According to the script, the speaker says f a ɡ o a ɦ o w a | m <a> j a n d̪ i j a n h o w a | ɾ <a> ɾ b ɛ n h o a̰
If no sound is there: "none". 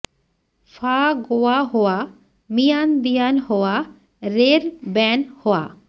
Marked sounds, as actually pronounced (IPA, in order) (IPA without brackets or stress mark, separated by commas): i, e